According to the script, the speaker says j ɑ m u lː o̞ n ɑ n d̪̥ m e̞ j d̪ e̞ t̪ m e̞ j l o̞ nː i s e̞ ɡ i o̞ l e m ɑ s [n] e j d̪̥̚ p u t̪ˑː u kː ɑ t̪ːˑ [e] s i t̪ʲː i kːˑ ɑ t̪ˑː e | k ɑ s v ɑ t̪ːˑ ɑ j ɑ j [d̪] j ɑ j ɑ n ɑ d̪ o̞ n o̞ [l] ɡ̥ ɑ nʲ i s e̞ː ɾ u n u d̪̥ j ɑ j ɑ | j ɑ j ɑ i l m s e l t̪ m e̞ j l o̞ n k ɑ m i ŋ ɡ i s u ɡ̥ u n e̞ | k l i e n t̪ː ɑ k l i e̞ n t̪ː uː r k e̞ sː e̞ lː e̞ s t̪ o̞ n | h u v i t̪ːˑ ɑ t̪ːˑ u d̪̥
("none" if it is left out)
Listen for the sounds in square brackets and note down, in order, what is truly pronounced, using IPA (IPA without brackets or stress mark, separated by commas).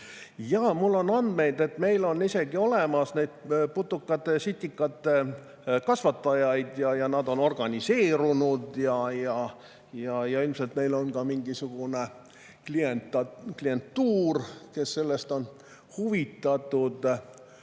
n, e, d̪, r